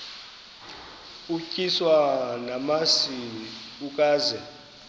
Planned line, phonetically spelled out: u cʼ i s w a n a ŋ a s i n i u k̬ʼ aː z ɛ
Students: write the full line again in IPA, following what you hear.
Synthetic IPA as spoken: u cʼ i s w a n a m a s i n i u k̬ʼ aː z ɛ

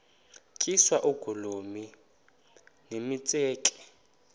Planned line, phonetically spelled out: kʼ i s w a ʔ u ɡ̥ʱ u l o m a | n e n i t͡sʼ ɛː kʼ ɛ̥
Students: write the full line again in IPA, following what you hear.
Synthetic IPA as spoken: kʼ i s w a ʔ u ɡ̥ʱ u l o m i | n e m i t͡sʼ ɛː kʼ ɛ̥

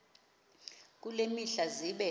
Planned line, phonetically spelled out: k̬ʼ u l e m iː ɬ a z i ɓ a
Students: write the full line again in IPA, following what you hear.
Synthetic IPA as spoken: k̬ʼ u l e m i ɬ a z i ɓ ɛ

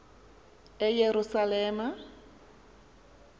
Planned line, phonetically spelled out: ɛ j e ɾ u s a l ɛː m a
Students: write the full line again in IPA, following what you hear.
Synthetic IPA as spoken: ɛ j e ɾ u s a l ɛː m a

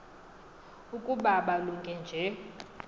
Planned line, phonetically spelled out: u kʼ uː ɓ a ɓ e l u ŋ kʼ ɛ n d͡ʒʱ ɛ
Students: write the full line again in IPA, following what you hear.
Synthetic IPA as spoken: u kʼ u ɓ a ɓ a l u ŋ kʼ ɛ n d͡ʒʱ ɛ

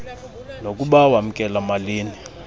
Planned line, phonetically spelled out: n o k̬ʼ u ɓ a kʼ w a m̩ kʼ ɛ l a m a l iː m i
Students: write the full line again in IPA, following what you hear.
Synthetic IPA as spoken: n o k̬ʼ u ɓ a w a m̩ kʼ ɛ l a m a l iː n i

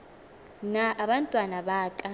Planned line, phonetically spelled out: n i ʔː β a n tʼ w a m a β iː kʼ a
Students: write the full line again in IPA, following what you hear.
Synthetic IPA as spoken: n a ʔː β a n tʼ w a n a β aː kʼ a

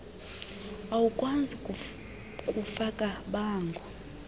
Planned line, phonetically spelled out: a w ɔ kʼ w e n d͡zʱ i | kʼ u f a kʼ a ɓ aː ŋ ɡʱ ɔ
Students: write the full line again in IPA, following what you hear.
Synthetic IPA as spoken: a w u kʼ w a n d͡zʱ i | kʼ u f a kʼ a ɓ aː ŋ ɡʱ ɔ

